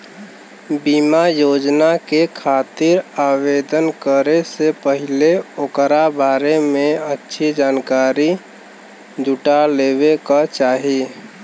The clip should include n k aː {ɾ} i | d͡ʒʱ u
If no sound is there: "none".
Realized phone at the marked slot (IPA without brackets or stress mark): ɾ